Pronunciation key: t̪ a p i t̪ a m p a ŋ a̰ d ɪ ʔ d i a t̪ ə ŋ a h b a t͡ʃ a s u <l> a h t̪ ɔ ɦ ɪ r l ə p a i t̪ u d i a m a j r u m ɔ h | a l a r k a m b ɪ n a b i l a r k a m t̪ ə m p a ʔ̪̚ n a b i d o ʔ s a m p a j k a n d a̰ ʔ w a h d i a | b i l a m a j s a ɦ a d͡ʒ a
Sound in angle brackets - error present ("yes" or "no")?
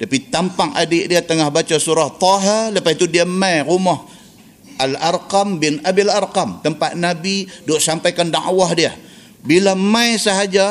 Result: yes